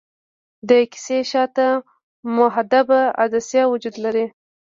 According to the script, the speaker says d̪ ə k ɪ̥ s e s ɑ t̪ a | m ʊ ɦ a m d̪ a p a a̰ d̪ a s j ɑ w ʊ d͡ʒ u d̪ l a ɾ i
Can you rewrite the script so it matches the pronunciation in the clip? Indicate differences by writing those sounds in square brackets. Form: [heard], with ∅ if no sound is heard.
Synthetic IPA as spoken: d̪ ə k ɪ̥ s e [ʃ] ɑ t̪ a | m ʊ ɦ a [∅] d̪ a [b] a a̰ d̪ a s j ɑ w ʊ d͡ʒ u d̪ l a ɾ i